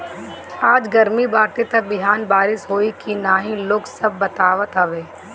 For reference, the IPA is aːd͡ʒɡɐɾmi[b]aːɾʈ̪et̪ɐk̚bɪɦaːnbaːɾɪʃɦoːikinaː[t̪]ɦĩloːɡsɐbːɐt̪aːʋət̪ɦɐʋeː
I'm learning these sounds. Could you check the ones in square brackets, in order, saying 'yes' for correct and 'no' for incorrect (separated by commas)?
yes, no